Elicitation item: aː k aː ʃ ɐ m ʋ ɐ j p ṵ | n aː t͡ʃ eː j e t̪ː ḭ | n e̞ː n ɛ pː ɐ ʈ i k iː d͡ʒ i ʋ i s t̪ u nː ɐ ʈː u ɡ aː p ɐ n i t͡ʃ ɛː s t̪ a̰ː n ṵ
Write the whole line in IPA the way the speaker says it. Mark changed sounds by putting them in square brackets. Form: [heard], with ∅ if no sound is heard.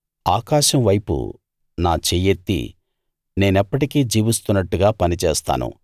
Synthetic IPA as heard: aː k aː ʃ ɐ m ʋ ɐ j p ṵ | n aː t͡ʃ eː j e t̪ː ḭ | n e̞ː n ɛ pː ɐ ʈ i k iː d͡ʒ [iː] ʋ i s t̪ u nː ɐ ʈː u ɡ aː p ɐ n i t͡ʃ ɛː s t̪ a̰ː n ṵ